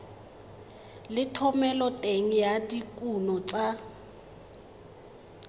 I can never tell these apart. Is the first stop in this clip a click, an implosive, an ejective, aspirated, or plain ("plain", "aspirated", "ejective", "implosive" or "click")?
aspirated